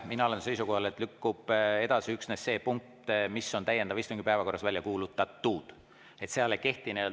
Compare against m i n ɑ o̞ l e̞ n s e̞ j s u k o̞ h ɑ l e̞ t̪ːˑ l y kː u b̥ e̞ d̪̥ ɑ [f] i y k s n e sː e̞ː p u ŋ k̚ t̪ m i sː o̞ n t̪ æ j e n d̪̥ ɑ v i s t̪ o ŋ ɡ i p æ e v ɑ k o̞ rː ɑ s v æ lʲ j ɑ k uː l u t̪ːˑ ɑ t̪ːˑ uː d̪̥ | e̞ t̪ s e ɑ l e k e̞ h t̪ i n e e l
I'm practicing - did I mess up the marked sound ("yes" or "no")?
yes